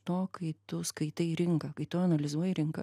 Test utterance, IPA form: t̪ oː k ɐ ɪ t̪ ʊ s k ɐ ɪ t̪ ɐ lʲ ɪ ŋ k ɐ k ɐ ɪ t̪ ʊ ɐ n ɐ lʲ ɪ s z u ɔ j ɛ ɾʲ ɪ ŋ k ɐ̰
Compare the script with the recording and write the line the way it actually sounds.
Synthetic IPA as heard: t̪ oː k ɐ ɪ t̪ ʊ s k ɐ ɪ t̪ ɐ ɾʲ ɪ ŋ k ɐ k ɐ ɪ t̪ ʊ ɐ n ɐ lʲ ɪ z u ɔ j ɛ ɾʲ ɪ ŋ k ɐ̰